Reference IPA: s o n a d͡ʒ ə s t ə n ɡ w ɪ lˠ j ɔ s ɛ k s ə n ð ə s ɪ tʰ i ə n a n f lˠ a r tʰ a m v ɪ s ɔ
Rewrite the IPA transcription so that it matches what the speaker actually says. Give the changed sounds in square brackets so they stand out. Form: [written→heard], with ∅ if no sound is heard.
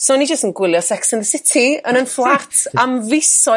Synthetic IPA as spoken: s o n [a→i] d͡ʒ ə s t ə n ɡ w ɪ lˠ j ɔ s ɛ k s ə n ð ə s ɪ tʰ i ə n [a→ə] n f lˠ a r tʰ a m v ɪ s ɔ